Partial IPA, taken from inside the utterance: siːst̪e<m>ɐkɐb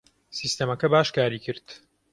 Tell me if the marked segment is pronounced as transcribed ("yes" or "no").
yes